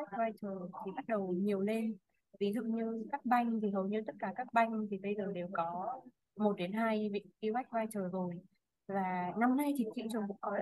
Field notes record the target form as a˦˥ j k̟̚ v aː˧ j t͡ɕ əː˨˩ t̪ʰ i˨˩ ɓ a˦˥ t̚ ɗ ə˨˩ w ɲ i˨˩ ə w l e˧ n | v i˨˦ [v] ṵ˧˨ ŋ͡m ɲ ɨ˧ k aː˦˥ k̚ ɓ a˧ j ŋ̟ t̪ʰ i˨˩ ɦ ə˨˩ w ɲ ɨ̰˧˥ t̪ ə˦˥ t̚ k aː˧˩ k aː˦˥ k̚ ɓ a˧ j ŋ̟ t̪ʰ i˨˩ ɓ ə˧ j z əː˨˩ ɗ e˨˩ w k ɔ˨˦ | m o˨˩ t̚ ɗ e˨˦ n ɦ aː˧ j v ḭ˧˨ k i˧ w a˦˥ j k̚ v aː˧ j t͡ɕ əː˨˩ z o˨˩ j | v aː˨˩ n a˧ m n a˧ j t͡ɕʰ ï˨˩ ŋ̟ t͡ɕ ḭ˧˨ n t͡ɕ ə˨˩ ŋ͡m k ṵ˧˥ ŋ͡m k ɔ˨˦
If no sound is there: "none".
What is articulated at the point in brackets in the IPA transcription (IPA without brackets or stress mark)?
z